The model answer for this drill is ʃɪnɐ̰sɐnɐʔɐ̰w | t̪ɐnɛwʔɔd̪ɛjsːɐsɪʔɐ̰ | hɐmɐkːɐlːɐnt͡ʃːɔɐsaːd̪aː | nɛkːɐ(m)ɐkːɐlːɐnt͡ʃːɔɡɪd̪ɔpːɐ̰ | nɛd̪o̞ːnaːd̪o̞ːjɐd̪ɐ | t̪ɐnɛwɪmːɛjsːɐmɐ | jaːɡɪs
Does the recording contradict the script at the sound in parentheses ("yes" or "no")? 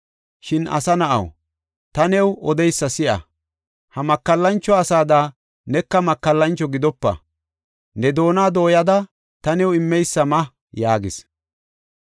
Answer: no